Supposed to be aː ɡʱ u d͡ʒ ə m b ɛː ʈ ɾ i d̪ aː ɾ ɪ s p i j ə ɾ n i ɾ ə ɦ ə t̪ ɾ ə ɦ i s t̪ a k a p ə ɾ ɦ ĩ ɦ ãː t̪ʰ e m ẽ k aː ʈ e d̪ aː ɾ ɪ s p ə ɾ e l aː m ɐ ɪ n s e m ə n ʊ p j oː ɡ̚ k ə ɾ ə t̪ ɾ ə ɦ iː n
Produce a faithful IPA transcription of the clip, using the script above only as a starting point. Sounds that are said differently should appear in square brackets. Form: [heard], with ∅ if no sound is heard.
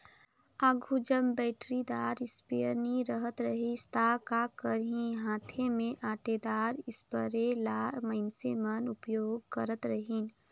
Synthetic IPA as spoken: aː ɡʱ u d͡ʒ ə m b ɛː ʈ ɾ i d̪ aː ɾ ɪ s p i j ə ɾ n i ɾ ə ɦ ə t̪ ɾ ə ɦ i s t̪ a k a [k] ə ɾ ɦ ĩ ɦ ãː t̪ʰ e m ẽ [ʔ] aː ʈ e d̪ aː ɾ ɪ s p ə ɾ e l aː m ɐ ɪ n s e m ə n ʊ p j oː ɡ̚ k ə ɾ ə t̪ ɾ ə ɦ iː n